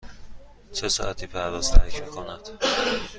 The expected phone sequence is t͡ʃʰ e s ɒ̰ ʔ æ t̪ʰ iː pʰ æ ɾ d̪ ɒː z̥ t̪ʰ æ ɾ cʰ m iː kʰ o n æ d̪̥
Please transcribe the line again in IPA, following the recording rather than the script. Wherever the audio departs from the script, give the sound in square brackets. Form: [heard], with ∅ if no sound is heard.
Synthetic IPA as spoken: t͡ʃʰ e s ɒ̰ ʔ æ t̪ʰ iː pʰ æ ɾ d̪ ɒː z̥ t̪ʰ æ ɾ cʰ m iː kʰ o n æ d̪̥